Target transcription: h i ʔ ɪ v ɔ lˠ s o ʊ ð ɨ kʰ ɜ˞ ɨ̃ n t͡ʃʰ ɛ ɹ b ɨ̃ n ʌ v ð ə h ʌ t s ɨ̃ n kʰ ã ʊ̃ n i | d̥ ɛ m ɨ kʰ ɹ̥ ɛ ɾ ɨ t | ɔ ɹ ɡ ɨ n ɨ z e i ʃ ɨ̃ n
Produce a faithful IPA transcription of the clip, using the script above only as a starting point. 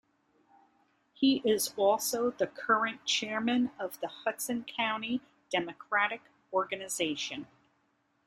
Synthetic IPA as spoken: h i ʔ ɪ z ɔ lˠ s o ʊ ð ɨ kʰ ɜ˞ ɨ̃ n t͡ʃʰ ɛ ɹ m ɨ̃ n ʌ v ð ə h ʌ t s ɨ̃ n kʰ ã ʊ̃ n i | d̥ ɛ m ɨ kʰ ɹ̥ æ ɾ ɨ k | ɔ ɹ ɡ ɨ n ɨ z e ɪ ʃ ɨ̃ n